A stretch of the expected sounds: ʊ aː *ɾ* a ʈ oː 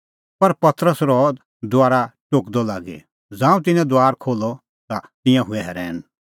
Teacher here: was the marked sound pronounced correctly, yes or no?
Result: yes